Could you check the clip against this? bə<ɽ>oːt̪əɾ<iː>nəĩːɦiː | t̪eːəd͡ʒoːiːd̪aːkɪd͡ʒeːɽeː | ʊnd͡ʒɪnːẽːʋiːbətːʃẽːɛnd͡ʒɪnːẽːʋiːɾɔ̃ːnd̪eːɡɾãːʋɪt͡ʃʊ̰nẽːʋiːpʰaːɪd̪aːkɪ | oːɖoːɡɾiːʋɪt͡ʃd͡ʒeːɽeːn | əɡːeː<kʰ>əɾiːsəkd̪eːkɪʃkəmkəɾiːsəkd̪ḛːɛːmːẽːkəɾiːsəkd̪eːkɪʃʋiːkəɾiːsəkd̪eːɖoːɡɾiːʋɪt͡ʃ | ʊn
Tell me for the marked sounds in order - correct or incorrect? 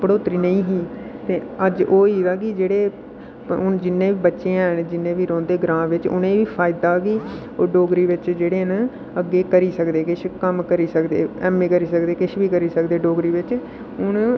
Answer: correct, correct, incorrect

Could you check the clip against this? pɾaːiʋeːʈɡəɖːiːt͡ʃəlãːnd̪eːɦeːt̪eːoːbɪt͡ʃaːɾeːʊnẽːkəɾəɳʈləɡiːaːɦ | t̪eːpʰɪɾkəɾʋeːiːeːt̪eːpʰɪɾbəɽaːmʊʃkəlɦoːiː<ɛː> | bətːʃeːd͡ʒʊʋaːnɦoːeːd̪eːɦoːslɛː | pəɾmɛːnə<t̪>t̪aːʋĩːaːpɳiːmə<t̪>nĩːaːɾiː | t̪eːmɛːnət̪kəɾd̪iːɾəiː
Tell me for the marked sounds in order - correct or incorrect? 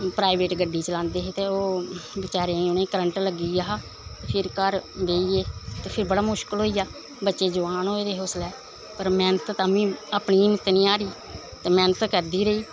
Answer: incorrect, correct, correct

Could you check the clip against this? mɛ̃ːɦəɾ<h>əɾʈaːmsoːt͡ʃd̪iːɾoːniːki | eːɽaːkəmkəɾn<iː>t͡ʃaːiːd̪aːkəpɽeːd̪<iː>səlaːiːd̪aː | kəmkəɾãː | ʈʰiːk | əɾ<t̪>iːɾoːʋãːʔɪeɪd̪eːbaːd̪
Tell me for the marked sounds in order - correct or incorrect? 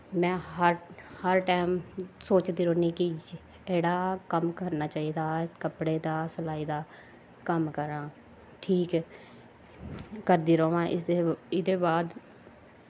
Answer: correct, incorrect, incorrect, incorrect

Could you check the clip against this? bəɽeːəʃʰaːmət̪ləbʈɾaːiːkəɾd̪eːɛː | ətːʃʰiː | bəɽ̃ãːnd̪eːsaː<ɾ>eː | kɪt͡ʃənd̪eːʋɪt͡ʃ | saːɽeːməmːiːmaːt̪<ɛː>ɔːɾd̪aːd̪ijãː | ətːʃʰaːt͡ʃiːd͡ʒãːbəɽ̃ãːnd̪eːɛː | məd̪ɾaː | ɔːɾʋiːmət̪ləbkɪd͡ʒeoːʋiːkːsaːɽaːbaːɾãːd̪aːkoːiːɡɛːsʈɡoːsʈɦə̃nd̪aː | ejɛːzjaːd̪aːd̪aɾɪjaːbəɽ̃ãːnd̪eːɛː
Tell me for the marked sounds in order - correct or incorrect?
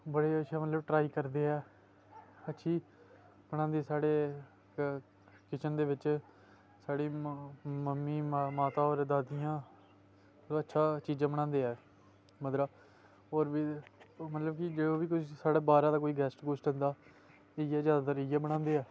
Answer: incorrect, incorrect

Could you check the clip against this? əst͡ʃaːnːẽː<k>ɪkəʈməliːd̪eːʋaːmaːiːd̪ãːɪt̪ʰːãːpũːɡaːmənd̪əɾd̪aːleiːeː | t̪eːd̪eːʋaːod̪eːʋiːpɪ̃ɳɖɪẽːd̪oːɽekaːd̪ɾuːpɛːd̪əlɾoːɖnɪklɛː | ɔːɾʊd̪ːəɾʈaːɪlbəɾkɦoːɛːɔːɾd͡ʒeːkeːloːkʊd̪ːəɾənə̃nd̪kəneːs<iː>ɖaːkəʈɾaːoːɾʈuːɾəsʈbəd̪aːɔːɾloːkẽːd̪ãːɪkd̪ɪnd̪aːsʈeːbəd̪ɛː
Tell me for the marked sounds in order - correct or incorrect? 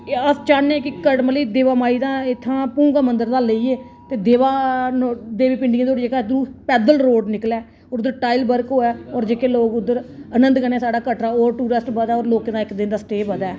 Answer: correct, incorrect

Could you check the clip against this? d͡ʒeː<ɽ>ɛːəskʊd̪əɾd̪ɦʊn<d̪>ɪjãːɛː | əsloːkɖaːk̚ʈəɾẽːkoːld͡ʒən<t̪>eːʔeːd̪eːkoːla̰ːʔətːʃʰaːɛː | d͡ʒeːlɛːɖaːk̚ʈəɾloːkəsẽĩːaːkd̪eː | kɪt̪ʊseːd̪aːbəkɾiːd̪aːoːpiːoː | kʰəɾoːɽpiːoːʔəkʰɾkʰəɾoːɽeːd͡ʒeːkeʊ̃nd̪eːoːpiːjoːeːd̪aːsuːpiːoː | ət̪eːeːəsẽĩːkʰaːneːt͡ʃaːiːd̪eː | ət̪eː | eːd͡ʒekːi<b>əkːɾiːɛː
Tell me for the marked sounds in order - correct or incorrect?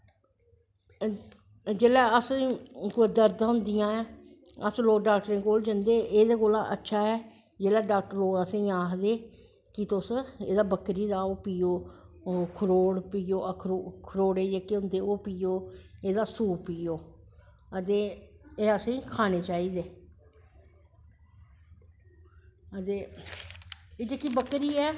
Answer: incorrect, correct, incorrect, correct

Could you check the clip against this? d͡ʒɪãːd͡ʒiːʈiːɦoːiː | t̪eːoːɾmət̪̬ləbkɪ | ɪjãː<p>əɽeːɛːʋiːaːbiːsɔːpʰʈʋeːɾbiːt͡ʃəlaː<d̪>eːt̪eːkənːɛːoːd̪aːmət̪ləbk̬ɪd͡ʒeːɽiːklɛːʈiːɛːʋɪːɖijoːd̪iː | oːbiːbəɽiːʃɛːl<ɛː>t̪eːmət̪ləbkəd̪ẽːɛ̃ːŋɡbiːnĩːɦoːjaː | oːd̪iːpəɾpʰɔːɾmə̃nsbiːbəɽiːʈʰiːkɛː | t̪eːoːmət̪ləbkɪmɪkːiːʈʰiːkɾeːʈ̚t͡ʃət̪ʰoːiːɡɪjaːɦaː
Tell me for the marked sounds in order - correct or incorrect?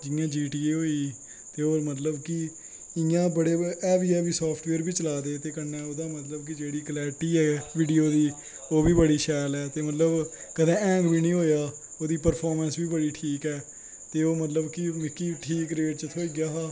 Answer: incorrect, correct, correct

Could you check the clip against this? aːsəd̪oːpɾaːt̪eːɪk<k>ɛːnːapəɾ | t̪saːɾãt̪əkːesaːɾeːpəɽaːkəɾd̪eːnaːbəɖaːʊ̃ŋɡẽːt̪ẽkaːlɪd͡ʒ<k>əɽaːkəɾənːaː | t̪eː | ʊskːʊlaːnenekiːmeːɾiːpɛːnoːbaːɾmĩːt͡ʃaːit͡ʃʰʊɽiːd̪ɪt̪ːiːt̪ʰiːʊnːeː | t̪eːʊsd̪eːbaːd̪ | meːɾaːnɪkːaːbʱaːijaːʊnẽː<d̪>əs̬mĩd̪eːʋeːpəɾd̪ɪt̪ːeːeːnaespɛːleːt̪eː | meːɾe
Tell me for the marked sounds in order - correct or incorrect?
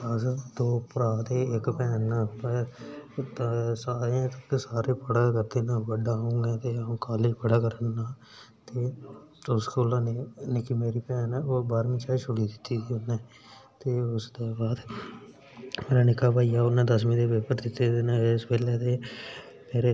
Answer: incorrect, incorrect, correct

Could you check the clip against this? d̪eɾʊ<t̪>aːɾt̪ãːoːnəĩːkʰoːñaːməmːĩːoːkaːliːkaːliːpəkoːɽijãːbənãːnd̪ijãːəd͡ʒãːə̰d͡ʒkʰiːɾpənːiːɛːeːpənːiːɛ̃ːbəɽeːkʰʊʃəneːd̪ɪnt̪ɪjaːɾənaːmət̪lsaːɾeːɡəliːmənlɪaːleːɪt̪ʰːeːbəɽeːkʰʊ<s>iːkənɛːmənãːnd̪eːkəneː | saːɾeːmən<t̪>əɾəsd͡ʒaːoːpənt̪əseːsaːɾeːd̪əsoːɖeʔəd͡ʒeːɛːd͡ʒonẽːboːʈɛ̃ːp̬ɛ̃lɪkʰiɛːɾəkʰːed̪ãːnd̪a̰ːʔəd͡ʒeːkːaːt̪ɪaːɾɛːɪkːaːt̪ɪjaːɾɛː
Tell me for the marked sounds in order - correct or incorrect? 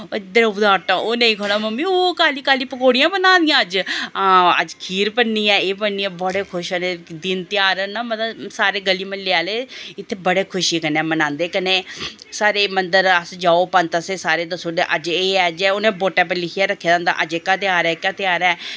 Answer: incorrect, incorrect, incorrect

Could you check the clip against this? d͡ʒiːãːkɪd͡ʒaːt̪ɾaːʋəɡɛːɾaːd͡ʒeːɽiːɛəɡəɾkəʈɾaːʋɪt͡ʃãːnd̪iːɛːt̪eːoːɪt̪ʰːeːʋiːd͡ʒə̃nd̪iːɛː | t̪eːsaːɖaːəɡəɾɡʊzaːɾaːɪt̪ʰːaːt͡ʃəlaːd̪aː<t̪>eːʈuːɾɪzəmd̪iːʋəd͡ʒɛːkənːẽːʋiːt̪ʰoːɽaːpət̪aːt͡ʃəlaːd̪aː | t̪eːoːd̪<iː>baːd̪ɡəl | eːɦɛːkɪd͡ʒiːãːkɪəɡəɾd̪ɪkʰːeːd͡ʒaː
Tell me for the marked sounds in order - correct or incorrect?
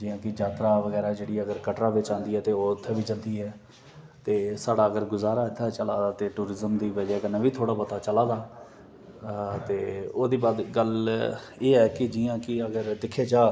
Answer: correct, correct

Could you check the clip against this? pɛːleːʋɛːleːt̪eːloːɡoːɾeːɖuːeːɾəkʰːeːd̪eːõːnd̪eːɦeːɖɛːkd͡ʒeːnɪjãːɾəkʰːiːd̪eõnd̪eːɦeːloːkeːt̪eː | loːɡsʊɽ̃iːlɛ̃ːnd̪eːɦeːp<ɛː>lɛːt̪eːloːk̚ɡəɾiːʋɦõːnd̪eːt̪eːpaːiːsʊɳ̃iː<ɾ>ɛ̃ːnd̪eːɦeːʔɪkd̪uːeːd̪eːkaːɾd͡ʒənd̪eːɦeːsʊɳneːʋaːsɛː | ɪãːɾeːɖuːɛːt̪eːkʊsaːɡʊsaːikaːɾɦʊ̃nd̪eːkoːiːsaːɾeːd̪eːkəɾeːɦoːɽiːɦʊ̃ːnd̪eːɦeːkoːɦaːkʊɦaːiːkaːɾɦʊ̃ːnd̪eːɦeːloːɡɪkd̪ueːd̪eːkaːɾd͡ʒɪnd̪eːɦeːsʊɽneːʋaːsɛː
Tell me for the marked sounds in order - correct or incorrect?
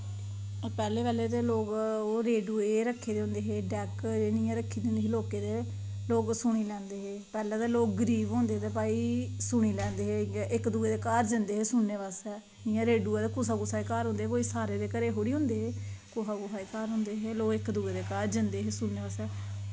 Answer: correct, incorrect

